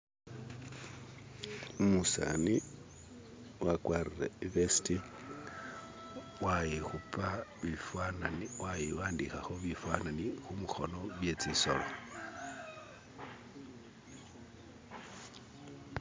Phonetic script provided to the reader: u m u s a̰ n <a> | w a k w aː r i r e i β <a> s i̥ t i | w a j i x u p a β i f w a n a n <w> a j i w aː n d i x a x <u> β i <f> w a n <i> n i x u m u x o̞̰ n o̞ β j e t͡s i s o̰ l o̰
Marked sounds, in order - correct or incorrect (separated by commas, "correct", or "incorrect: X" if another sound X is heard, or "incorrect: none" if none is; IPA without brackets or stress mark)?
incorrect: i, incorrect: e, correct, incorrect: o, correct, incorrect: a